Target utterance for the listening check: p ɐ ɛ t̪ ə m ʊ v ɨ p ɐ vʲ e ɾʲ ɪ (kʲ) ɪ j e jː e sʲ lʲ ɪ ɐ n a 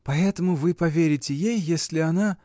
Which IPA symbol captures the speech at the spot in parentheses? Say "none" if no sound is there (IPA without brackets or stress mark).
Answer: tʲ